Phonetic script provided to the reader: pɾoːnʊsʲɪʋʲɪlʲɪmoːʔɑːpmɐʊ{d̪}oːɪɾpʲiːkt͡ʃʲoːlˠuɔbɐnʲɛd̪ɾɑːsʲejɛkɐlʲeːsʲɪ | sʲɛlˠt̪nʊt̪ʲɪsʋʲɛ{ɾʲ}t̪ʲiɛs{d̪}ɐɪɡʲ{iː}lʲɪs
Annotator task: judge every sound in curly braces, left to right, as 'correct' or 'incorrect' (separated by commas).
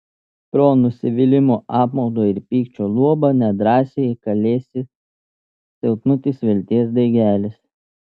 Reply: correct, incorrect, correct, incorrect